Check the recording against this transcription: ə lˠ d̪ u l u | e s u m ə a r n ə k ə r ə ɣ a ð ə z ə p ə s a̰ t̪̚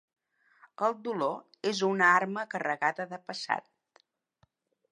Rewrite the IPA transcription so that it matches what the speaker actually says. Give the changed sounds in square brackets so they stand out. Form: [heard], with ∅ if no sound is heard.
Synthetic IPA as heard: ə lˠ d̪ u l [o] | e [z] u [n] ə a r [m] ə k ə r ə ɣ a ð ə [ð] ə p ə s a̰ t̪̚

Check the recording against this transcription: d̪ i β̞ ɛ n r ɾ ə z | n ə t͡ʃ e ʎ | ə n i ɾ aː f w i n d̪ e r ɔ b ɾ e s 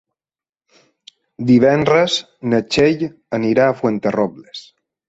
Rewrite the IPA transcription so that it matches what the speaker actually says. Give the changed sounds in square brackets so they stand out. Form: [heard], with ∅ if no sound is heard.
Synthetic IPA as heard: d̪ i β̞ ɛ n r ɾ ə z | n ə t͡ʃ e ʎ | ə n i ɾ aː f w [e] n [t̪] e r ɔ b [l] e s

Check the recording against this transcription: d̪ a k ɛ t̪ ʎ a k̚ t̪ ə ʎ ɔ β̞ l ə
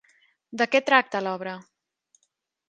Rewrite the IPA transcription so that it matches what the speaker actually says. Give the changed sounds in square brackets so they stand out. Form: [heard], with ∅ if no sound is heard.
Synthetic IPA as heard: d̪ [ə] k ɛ t̪ [ɾ] a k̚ t̪ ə [l] ɔ β̞ [ɾ] ə

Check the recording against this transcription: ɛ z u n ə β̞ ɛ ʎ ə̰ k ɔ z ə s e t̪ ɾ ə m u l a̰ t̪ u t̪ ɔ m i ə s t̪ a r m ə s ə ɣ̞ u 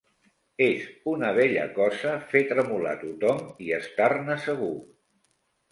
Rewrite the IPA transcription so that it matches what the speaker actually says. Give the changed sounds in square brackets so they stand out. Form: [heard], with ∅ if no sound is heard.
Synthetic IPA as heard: [e] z u n ə β̞ ɛ ʎ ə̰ k ɔ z ə [f] e t̪ ɾ ə m u l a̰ t̪ u t̪ ɔ m i ə s t̪ a r [n] ə s ə ɣ̞ u

